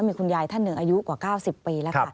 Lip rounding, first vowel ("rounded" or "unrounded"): unrounded